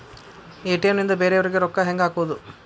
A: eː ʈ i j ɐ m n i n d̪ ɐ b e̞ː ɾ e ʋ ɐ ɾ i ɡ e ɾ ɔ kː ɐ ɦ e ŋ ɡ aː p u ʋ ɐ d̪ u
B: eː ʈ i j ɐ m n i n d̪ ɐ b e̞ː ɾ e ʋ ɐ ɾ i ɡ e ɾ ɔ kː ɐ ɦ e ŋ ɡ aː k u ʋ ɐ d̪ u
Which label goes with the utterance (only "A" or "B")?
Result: B